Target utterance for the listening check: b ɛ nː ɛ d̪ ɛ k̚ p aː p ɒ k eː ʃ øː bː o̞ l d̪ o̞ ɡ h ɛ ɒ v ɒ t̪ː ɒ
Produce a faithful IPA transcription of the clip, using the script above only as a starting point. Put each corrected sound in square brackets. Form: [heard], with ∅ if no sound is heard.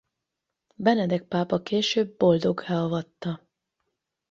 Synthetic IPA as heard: b ɛ [n] ɛ d̪ ɛ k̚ p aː p ɒ k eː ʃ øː bː o̞ l d̪ o̞ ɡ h ɛ ɒ v ɒ t̪ː ɒ